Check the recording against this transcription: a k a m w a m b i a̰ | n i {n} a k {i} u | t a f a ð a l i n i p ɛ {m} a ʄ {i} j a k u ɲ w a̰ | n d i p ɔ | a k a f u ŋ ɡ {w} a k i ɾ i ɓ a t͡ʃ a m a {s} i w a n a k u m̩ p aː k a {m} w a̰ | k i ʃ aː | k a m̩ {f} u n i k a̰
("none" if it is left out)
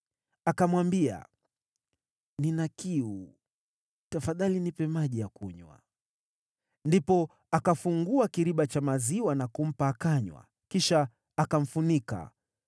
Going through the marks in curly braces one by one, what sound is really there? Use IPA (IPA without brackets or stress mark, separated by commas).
n, i, m, i, u, z, ɲ, f